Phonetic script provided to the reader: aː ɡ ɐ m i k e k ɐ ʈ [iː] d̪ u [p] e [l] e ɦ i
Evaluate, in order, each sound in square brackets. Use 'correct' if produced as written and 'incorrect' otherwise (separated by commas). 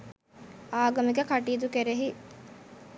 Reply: correct, incorrect, incorrect